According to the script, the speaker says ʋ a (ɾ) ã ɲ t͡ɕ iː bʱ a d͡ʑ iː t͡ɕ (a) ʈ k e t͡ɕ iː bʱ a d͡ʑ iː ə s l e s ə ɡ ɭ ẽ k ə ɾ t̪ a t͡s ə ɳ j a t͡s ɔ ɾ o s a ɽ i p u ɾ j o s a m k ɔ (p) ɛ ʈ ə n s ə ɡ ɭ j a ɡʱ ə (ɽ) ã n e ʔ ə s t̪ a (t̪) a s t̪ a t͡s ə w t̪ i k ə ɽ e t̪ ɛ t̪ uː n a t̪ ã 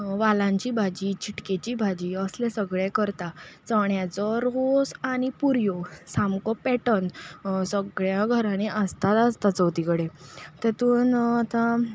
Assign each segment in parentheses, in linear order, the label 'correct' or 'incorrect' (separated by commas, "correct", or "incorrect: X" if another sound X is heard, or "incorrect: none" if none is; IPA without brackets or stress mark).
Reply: incorrect: l, incorrect: i, correct, incorrect: ɾ, correct